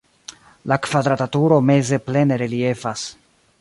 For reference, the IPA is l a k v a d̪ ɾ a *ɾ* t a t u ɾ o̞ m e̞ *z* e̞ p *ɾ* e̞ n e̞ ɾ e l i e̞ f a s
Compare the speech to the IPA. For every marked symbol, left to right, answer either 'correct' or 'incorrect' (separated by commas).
incorrect, correct, incorrect